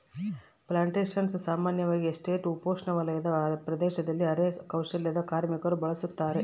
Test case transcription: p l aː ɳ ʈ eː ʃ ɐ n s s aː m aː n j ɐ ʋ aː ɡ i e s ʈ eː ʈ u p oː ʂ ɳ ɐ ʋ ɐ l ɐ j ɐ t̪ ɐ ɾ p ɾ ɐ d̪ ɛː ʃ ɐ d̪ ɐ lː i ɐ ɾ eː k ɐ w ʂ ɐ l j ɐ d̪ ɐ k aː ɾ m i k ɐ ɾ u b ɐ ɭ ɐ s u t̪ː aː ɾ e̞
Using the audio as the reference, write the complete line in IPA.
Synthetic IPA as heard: p l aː ɳ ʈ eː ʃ ɐ n s s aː m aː n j ɐ ʋ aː ɡ i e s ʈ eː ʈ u p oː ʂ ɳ ɐ ʋ ɐ l ɐ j ɐ d̪ ɐ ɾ p ɾ ɐ d̪ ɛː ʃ ɐ d̪ ɐ lː i ɐ ɾ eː k ɐ w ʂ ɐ l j ɐ d̪ ɐ k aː ɾ m i k ɐ ɾ u b ɐ ɭ ɐ s u t̪ː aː ɾ e̞